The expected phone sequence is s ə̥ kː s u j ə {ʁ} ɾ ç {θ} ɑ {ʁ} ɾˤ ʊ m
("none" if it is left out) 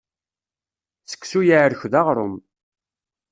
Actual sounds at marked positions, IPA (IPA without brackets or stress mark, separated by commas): ʕ, ð, ʁ